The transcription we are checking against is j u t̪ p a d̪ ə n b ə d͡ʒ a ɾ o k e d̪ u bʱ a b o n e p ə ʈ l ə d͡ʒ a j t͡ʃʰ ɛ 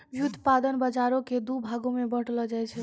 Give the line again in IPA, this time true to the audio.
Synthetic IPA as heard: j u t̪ p a d̪ ə n b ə d͡ʒ a ɾ o k e d̪ u bʱ a ɡ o m e b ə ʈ l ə d͡ʒ a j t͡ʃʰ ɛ

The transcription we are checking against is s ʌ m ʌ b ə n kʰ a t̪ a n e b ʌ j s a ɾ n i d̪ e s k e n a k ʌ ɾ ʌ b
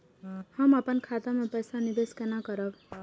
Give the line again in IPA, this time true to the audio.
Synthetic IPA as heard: h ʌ m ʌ p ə n kʰ a t̪ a m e p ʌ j s a n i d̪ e s k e n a k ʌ ɾ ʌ b

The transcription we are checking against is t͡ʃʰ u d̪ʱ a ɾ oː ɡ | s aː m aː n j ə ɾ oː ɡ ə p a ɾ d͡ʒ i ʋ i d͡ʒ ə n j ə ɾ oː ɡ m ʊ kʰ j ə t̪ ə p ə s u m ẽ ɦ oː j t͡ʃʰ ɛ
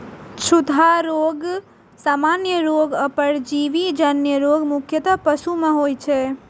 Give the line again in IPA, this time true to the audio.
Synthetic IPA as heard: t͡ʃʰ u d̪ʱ a ɾ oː ɡ | s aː m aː n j ə ɾ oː ɡ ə p ə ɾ d͡ʒ i ʋ i d͡ʒ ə n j ə ɾ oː ɡ m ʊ kʰ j ə t̪ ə p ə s u m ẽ ɦ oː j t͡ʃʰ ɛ

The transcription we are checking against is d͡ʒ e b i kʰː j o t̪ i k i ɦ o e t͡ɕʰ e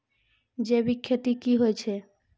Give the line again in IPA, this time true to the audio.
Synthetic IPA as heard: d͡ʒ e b i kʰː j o t̪ i k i ɦ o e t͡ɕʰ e

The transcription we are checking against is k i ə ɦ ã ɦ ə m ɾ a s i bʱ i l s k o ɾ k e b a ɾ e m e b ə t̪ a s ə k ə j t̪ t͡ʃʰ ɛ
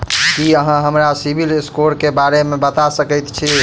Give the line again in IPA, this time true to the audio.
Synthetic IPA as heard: k i ə ɦ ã ɦ ə m ɾ a s i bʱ i l s k o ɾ k e b a ɾ e m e b ə t̪ a s ə k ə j t̪ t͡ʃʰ i

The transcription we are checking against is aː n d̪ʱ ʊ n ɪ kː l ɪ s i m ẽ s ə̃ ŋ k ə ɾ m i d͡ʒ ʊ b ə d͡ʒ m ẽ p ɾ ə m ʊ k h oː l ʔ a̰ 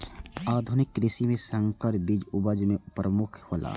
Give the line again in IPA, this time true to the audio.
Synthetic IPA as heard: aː d̪ʱ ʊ n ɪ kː ɾ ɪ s i m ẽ s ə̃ ŋ k ə ɾ b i d͡ʒ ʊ b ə d͡ʒ m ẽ p ɾ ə m ʊ kʰ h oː l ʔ a̰

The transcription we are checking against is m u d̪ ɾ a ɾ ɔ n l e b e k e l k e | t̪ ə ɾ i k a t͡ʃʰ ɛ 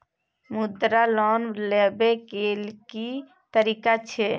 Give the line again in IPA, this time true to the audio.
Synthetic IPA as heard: m u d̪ ɾ a l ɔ n l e b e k e l k i | t̪ ə ɾ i k a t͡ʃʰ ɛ

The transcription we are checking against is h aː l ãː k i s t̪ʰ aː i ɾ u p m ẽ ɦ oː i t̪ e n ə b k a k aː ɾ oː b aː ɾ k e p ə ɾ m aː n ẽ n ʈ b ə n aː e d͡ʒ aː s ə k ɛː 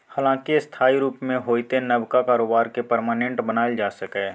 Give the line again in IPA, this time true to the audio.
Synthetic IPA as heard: h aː l ãː k i s t̪ʰ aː i ɾ uː p m ẽ ɦ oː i t̪ e n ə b k a k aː ɾ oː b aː ɾ k e p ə ɾ m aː n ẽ ɳ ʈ b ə n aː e d͡ʒ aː s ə k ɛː

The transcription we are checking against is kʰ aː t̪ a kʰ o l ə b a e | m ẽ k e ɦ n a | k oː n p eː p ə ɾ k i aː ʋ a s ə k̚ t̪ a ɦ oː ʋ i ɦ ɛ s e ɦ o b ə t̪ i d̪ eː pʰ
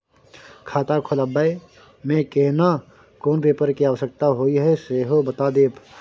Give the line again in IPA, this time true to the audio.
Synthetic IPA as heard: kʰ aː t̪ a kʰ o l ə b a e | m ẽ k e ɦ n a | k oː n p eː p ə ɾ k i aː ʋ ə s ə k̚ t̪ a ɦ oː i ɦ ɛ s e ɦ o b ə t̪ a d̪ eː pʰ

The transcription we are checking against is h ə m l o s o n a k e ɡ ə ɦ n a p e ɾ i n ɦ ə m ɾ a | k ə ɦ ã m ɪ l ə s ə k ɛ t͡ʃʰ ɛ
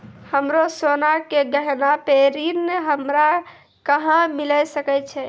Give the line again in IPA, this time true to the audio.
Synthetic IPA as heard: h ə m ɾ o s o n a k e ɡ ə ɦ n a p e ɾ i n ɦ ə m ɾ a | k ə ɦ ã m i l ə s ə k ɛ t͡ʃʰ ɛ

